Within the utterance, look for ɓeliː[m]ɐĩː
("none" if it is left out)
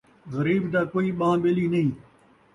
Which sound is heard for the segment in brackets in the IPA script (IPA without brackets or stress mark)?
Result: n